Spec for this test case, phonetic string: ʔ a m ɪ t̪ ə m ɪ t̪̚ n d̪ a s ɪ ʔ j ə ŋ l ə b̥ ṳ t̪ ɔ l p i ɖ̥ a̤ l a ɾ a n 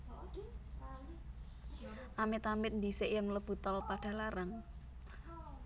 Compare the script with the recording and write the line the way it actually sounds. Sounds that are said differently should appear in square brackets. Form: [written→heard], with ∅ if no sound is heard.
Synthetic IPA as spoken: ʔ a m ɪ t̪ [ə→a] m ɪ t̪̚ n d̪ [a→i] s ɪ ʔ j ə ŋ l ə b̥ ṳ t̪ ɔ l p [i→a] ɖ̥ a̤ l a ɾ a [n→ŋ]